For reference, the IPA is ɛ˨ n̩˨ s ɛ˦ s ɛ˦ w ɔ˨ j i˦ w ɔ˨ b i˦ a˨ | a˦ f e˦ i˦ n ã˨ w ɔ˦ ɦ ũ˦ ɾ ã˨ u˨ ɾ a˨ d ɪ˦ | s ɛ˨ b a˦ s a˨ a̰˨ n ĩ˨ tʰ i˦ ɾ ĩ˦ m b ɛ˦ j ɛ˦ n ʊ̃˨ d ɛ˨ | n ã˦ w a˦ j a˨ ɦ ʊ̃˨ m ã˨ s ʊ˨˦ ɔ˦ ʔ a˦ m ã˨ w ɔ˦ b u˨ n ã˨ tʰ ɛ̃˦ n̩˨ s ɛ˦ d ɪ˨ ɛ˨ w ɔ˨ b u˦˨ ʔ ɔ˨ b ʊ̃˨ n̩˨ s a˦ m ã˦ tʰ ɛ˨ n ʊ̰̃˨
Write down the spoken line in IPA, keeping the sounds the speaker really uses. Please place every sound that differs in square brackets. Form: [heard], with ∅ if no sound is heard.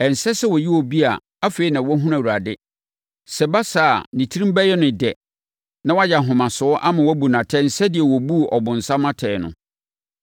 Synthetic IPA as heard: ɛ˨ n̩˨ s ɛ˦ s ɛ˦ w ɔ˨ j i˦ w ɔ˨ b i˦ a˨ | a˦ f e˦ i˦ n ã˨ w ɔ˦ ɦ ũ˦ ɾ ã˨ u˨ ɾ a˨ d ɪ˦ | s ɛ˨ b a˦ s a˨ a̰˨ n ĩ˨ tʰ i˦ ɾ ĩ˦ m b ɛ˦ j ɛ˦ n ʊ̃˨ d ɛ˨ | n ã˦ w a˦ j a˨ ɦ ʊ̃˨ m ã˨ s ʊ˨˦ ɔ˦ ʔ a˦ m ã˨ w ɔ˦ b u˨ n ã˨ tʰ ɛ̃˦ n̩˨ s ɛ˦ d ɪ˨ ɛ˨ w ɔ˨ b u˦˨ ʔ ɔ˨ b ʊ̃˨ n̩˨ s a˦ m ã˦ tʰ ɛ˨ n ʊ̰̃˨